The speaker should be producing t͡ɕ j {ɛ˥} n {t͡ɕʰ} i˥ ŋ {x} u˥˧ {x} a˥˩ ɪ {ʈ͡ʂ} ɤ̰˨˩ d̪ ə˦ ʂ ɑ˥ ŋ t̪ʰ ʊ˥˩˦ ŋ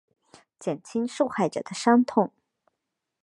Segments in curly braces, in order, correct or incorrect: incorrect: ɛ˨˩, correct, incorrect: ʂ, correct, correct

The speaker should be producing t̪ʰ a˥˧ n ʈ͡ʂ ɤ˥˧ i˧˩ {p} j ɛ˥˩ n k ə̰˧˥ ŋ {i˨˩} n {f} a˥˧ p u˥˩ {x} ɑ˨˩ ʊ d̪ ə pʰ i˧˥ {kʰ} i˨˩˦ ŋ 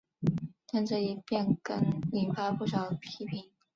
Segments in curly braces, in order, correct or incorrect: correct, correct, correct, incorrect: ʂ, incorrect: pʰ

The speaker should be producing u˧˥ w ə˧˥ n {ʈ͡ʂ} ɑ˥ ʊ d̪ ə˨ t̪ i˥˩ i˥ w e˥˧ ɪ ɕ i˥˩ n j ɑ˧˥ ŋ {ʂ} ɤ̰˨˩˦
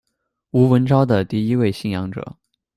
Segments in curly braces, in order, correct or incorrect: correct, incorrect: ʈ͡ʂ

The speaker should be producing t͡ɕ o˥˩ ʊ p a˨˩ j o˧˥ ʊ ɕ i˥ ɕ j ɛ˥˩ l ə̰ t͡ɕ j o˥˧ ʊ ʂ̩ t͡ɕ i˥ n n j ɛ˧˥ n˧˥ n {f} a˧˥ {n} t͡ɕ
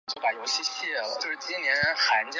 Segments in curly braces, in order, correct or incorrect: incorrect: x, correct

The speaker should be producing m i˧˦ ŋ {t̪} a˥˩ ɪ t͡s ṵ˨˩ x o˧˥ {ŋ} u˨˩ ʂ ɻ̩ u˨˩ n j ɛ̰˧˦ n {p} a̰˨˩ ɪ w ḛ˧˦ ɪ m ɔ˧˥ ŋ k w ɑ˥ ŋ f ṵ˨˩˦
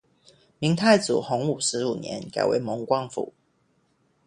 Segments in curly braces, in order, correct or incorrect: incorrect: t̪ʰ, correct, incorrect: k

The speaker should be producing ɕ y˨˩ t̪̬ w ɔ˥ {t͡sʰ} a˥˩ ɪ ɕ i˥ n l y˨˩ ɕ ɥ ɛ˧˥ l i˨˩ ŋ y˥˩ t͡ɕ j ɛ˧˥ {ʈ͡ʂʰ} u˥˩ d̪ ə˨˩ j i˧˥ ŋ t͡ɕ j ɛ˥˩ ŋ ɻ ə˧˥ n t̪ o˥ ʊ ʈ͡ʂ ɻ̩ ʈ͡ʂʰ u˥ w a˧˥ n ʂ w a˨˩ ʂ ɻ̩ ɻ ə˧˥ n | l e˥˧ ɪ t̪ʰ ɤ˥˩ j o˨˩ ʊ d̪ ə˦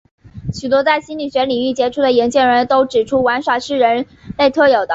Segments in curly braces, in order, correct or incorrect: incorrect: t͡s, correct

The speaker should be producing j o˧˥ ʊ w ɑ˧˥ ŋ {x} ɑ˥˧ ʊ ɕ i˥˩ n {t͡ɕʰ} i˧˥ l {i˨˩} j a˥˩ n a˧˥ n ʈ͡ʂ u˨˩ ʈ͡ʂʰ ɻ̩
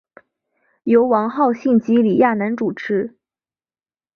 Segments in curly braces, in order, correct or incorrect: correct, incorrect: t͡ɕ, correct

